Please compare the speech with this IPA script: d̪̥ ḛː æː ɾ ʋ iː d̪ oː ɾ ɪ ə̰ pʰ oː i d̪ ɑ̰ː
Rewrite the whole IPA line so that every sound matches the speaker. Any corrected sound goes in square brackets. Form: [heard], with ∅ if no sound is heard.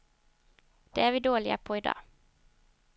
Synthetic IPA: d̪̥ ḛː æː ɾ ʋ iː d̪ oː [ɭ] ɪ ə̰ pʰ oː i d̪ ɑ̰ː